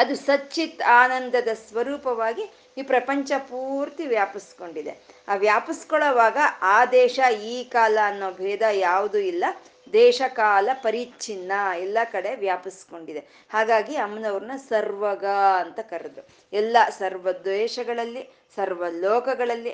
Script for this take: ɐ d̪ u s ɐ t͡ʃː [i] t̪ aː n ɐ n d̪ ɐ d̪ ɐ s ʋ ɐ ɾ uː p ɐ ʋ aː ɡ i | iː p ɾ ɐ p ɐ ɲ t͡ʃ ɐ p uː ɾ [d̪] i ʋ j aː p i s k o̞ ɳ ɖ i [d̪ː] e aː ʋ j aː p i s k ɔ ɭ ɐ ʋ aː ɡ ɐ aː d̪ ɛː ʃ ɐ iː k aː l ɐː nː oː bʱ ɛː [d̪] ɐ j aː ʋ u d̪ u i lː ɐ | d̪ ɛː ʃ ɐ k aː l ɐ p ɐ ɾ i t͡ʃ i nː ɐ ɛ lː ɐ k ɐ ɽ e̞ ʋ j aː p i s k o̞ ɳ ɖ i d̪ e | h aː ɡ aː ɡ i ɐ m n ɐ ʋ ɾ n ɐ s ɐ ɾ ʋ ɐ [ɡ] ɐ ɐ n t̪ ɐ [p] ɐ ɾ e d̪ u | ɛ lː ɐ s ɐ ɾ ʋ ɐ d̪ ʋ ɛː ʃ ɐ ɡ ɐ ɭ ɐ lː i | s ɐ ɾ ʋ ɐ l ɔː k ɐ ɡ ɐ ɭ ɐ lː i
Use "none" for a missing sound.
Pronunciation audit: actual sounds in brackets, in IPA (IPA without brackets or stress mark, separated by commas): i, t̪, d̪, d̪, ɡ, k